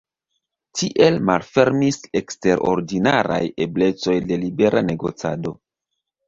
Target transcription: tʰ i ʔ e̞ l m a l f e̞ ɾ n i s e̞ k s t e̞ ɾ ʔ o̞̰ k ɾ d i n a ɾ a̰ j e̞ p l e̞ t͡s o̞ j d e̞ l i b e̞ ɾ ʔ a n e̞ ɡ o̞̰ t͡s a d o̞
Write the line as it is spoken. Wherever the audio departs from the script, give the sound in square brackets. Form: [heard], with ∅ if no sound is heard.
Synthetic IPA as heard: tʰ i ʔ e̞ l m a l f e̞ ɾ [m] i s e̞ k s t e̞ ɾ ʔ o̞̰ [∅] ɾ d i n a ɾ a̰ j e̞ [b] l e̞ t͡s o̞ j d e̞ l i b e̞ ɾ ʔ a n e̞ ɡ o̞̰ t͡s a d o̞